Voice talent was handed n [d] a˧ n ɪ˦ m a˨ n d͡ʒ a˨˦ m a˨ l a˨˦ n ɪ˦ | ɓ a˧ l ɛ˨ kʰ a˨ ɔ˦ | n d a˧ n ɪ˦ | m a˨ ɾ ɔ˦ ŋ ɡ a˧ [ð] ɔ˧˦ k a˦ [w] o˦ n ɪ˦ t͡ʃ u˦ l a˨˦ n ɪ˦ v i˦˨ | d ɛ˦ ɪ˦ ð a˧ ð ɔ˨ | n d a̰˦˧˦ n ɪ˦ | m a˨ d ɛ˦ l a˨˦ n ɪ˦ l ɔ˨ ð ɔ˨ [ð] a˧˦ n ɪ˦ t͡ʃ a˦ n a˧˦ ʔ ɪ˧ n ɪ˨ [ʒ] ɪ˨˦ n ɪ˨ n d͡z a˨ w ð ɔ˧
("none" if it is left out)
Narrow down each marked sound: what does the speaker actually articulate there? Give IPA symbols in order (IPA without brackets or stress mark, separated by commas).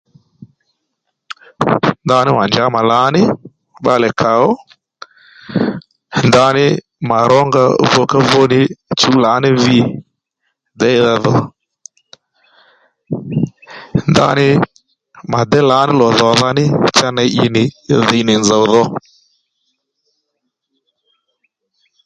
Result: d, v, v, ð, ð